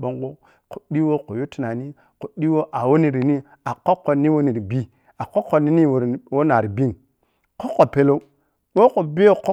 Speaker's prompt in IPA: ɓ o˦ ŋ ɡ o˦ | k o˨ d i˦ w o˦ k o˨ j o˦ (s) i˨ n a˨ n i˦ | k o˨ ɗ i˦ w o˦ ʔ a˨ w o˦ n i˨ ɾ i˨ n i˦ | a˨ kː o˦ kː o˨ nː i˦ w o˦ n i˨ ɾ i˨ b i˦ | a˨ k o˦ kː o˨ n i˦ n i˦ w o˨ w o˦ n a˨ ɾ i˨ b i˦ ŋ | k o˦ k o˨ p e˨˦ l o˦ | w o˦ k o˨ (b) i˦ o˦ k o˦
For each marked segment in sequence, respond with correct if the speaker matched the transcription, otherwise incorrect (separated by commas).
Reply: incorrect, correct